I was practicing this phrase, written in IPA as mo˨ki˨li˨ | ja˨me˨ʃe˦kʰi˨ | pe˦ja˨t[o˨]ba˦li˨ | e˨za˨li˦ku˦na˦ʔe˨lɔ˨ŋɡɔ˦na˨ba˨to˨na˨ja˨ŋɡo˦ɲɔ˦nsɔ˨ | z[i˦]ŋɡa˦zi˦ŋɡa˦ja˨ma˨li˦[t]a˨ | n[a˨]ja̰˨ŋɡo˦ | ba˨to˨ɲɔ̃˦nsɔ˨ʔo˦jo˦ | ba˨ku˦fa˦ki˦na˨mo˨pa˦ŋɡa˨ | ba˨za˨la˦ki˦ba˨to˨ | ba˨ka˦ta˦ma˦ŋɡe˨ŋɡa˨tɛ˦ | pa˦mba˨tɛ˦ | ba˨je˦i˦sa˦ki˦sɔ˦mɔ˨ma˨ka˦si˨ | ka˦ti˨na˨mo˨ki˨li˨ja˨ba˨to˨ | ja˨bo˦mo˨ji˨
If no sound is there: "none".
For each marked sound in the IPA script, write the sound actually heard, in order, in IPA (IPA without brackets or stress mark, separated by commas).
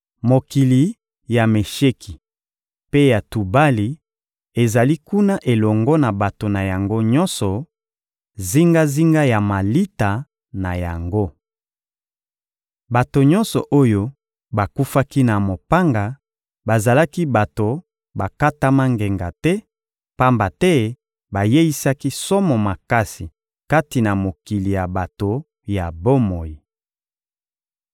u˨, i˦, t, a˨